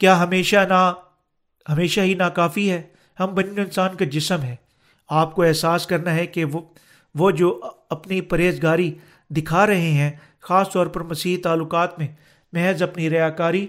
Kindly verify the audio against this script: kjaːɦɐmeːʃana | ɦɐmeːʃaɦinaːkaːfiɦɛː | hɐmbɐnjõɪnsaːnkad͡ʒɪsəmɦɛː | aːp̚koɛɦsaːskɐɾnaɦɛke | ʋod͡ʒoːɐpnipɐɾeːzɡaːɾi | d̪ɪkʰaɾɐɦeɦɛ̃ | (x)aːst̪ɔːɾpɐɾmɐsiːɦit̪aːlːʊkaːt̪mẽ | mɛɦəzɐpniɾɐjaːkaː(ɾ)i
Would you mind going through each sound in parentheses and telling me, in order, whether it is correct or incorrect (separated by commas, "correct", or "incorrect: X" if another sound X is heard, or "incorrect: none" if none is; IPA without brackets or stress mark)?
correct, correct